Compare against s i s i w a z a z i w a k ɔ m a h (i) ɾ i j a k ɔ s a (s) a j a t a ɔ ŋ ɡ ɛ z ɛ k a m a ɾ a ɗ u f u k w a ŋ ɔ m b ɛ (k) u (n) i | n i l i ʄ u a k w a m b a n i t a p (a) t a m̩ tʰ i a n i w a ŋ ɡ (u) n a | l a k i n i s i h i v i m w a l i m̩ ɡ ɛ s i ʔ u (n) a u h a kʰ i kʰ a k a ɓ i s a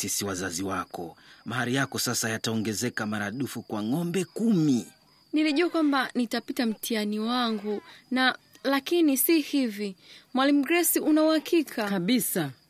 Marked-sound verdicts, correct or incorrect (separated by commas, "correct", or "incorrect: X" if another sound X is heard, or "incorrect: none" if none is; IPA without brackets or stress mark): incorrect: a, correct, correct, incorrect: m, incorrect: i, correct, correct